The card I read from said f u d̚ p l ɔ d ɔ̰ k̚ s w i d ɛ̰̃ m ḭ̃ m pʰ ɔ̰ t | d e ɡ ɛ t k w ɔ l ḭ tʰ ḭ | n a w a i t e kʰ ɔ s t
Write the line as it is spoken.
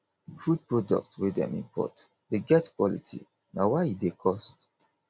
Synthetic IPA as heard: f u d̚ p ɹ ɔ d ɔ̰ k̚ t w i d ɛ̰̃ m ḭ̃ m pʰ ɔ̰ t | d e ɡ ɛ t k w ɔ l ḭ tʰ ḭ | n a w a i d e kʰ ɔ s t